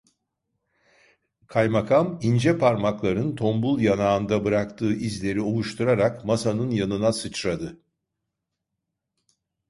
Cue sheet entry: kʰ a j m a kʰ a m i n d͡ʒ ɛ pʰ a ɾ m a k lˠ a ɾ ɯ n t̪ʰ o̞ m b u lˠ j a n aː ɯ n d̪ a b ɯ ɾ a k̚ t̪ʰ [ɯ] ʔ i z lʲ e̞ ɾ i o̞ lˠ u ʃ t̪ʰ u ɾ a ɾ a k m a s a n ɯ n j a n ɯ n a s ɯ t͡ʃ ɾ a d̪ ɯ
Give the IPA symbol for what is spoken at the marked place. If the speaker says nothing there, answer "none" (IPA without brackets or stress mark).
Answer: ɯː